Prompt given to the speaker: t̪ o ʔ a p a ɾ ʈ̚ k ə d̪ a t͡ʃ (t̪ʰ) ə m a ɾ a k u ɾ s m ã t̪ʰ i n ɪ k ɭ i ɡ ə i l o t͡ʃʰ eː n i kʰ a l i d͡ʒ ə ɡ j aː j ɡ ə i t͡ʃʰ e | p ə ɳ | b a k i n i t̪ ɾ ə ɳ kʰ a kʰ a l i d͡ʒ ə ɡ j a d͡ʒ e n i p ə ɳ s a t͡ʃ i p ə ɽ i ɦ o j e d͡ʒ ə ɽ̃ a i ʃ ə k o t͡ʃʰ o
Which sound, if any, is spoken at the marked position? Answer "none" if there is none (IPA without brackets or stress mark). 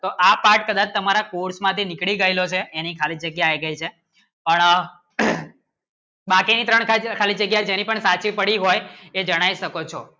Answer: t̪